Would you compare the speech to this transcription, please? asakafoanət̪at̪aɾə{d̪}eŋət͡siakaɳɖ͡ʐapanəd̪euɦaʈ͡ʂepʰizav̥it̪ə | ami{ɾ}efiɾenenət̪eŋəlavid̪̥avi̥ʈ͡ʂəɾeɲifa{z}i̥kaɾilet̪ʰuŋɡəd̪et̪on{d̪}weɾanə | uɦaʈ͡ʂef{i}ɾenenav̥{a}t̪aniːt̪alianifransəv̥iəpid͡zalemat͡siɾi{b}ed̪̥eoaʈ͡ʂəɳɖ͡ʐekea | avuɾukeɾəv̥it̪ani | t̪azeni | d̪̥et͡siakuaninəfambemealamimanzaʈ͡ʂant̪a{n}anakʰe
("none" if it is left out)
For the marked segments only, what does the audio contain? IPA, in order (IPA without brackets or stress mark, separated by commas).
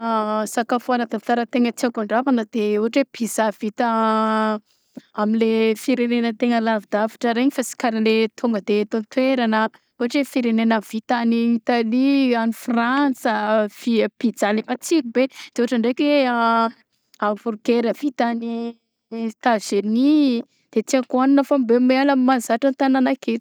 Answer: t̪, l, s, t̪, i, i, b, n